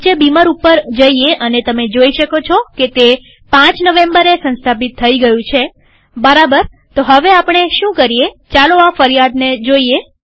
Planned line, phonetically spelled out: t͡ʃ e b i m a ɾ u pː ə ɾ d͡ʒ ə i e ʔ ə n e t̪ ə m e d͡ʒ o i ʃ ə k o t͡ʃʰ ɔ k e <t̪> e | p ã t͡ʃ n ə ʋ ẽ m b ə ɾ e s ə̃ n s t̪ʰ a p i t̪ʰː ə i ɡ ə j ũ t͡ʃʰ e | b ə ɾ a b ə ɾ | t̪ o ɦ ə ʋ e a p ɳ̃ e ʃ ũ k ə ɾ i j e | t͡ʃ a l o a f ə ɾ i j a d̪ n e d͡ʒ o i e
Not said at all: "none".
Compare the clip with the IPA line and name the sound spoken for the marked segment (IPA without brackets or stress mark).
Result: t̪